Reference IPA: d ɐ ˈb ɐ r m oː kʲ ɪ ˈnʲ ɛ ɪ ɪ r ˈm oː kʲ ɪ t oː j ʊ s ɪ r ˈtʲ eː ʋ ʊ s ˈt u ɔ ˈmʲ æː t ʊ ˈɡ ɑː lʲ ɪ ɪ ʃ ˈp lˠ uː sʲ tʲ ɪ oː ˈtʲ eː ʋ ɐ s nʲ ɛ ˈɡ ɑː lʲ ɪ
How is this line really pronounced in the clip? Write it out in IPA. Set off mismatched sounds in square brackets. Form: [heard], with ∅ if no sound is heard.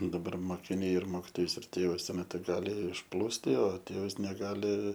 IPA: d ɐ ˈb ɐ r m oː kʲ ɪ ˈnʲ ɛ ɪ ɪ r ˈm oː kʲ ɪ t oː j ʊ s ɪ r ˈtʲ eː ʋ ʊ s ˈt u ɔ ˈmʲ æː t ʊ ˈɡ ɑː lʲ ɪ ɪ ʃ ˈp lˠ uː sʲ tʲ ɪ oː ˈtʲ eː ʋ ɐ s nʲ ɛ ˈɡ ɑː lʲ ɪ

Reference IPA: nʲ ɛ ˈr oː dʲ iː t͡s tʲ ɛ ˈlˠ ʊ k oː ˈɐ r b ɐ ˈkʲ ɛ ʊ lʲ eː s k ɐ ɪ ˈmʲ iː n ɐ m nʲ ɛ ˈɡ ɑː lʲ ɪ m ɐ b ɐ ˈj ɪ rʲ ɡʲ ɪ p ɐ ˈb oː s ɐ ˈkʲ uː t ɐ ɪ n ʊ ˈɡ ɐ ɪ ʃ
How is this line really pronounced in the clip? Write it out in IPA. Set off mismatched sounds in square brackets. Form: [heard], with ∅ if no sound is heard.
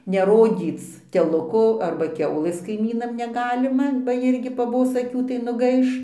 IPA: nʲ ɛ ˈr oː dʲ iː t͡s tʲ ɛ ˈlˠ ʊ k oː ˈɐ r b ɐ ˈkʲ ɛ ʊ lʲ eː s k ɐ ɪ ˈmʲ iː n ɐ m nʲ ɛ ˈɡ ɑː lʲ ɪ m ɐ b ɐ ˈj ɪ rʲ ɡʲ ɪ p ɐ ˈb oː s ɐ ˈkʲ uː t ɐ ɪ n ʊ ˈɡ ɐ ɪ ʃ

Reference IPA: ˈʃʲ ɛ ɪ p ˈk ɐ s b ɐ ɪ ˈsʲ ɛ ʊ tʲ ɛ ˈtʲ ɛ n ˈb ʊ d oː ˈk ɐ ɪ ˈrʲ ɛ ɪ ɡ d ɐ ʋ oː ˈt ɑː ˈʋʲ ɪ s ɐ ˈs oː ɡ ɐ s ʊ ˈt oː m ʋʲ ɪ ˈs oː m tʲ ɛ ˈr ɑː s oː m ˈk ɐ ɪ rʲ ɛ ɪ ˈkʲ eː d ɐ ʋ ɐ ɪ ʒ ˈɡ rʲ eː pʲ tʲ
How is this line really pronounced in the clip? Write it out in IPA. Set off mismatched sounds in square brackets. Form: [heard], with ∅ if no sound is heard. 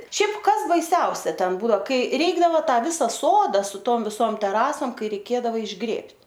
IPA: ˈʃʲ ɛ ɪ p ˈk ɐ s b ɐ ɪ ˈsʲ ɛ ʊ [sʲ] ɛ ˈtʲ ɛ n ˈb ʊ d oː ˈk ɐ ɪ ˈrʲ ɛ ɪ ɡ d ɐ ʋ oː ˈt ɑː ˈʋʲ ɪ s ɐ ˈs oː [d] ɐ s ʊ ˈt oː m ʋʲ ɪ ˈs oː m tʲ ɛ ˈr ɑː s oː m ˈk ɐ ɪ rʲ ɛ ɪ ˈkʲ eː d ɐ ʋ ɐ ɪ ʒ ˈɡ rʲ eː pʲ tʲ

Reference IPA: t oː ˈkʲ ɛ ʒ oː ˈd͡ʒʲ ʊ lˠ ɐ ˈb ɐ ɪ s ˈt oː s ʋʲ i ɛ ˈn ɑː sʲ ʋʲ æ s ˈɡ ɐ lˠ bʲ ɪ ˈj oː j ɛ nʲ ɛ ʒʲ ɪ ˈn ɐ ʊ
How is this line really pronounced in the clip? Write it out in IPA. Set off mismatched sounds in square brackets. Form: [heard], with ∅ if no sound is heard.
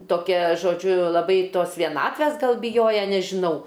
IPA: t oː ˈkʲ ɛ ʒ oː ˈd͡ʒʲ ʊ lˠ ɐ ˈb ɐ ɪ [∅] ˈt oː s ʋʲ i ɛ ˈn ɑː [tʲ] ʋʲ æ s ˈɡ ɐ lˠ bʲ ɪ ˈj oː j ɛ nʲ ɛ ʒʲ ɪ ˈn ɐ ʊ

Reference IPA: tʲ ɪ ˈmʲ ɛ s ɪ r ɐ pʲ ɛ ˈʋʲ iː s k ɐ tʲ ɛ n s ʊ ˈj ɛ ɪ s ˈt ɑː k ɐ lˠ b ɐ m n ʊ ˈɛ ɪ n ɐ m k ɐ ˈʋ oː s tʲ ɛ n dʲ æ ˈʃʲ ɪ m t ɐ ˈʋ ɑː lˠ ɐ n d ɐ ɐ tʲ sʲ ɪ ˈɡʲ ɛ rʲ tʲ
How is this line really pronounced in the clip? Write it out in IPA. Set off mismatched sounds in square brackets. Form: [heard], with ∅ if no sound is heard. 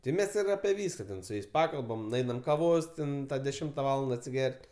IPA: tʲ ɪ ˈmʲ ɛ s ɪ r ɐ pʲ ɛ ˈʋʲ iː s k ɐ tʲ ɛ n s ʊ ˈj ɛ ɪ s [ˈp] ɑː k ɐ lˠ b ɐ m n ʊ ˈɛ ɪ n ɐ m k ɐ ˈʋ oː s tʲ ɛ n dʲ [ɛ] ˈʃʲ ɪ m t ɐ ˈʋ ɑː lˠ ɐ n d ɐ ɐ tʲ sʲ ɪ ˈɡʲ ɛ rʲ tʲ

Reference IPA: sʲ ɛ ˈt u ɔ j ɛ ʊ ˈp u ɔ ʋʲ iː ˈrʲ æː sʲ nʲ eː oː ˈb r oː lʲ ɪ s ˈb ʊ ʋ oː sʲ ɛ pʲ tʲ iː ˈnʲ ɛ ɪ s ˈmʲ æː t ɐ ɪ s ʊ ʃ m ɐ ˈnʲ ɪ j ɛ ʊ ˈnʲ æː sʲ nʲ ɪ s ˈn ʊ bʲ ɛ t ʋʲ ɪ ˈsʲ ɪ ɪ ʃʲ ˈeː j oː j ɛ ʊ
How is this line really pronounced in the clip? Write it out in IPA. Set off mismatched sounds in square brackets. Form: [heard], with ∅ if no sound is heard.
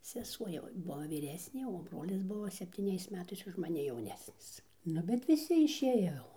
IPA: sʲ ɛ [ˈs] u ɔ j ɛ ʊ [ˈb] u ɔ ʋʲ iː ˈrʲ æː sʲ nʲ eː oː ˈb r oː lʲ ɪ s ˈb ʊ ʋ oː sʲ ɛ pʲ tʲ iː ˈnʲ ɛ ɪ s ˈmʲ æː t ɐ ɪ s ʊ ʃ m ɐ ˈnʲ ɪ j ɛ ʊ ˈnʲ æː sʲ nʲ ɪ s ˈn ʊ bʲ ɛ t ʋʲ ɪ ˈsʲ ɪ ɪ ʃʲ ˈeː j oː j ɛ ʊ

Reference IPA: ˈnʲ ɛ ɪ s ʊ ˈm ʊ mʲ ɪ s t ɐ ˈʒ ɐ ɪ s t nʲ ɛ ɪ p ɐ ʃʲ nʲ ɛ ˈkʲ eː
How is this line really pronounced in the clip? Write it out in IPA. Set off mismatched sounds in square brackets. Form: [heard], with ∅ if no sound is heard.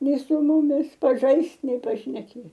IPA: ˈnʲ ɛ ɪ s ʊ ˈm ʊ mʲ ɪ s [p] ɐ ˈʒ ɐ ɪ s t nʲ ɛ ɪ p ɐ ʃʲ nʲ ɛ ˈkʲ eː

